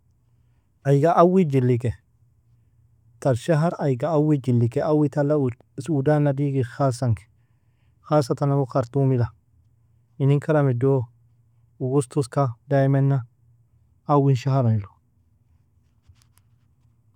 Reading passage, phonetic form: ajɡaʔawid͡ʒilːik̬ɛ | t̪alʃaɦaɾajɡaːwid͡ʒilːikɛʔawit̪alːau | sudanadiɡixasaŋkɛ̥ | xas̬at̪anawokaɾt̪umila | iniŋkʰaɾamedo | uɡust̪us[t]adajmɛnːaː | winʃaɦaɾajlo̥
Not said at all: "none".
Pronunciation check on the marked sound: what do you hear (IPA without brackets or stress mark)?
k